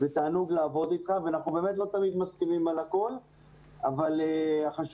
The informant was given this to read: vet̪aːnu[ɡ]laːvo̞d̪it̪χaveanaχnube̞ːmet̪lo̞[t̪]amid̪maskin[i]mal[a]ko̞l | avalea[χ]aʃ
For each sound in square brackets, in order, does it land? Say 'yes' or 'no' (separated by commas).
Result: yes, yes, yes, yes, yes